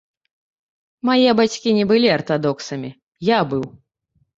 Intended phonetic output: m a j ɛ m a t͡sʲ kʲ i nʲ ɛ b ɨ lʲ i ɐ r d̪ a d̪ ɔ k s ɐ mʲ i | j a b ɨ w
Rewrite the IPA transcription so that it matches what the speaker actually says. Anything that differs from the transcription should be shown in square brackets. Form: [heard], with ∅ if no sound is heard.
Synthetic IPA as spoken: m a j ɛ [b] a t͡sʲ kʲ i nʲ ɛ b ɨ lʲ i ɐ r [t̪] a d̪ ɔ k s ɐ mʲ i | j a b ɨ w